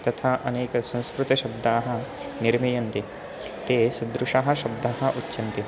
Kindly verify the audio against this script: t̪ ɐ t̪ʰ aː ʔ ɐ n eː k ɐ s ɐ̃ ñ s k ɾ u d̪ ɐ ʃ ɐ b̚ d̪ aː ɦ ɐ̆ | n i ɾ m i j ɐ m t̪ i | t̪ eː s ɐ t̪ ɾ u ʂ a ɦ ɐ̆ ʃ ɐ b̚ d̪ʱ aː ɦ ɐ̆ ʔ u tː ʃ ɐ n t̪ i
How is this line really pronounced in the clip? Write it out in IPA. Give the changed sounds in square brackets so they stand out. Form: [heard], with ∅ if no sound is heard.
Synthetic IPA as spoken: t̪ ɐ t̪ʰ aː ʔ ɐ n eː k ɐ s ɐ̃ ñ s k ɾ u [t̪] ɐ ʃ ɐ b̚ d̪ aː ɦ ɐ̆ | n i ɾ m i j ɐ [n] t̪ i | t̪ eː s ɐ [d̪] ɾ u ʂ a ɦ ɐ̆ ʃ ɐ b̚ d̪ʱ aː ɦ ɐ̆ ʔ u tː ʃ ɐ n t̪ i